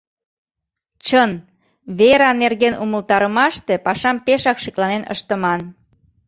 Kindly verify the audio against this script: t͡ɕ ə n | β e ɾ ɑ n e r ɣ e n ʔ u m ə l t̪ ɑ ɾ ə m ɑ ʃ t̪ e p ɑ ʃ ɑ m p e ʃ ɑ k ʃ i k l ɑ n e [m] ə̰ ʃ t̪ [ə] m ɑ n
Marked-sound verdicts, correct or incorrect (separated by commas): incorrect, correct